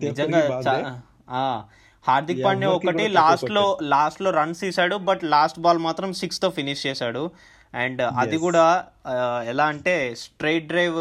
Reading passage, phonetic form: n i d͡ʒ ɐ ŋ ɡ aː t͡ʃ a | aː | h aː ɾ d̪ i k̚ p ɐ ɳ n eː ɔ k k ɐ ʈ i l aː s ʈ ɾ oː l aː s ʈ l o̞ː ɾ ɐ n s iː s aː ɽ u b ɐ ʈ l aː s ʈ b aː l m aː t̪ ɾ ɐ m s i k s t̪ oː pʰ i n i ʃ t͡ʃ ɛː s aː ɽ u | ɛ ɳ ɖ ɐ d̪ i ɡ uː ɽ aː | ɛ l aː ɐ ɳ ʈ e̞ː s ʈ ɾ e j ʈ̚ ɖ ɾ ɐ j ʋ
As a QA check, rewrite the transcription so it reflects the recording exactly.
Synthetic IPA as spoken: n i d͡ʒ ɐ ŋ ɡ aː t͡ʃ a | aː | h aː ɾ d̪ i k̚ p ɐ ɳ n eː ɔ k k ɐ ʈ i l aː s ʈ l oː l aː s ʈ l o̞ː ɾ ɐ n s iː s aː ɽ u b ɐ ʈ l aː s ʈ b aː l m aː t̪ ɾ ɐ m s i k s t̪ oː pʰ i n i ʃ t͡ʃ ɛː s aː ɽ u | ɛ ɳ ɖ ɐ d̪ i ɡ uː ɽ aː | ɛ l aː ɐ ɳ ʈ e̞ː s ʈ ɾ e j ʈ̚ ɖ ɾ ɐ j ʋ